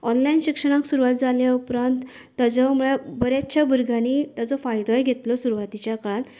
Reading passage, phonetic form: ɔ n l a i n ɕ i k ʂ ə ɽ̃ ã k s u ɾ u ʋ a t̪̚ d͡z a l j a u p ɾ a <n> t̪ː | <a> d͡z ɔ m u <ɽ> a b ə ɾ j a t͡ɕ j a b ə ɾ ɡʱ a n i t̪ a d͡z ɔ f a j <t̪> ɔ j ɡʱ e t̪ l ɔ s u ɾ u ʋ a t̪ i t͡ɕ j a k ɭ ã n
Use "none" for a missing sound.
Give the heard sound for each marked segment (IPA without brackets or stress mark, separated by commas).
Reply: n, a, ɭ, d̪